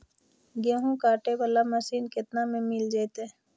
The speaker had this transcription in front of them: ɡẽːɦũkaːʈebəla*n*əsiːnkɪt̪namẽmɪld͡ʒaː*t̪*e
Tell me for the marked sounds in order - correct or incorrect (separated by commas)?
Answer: incorrect, correct